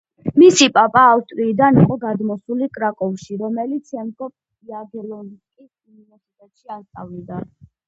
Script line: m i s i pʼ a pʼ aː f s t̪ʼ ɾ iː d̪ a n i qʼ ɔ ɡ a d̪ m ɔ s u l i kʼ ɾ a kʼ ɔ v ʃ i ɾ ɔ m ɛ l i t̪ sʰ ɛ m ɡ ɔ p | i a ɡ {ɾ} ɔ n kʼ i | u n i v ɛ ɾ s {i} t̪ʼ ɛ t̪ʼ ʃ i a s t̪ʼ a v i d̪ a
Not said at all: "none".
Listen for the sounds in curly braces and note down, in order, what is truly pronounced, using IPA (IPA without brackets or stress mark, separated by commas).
l, i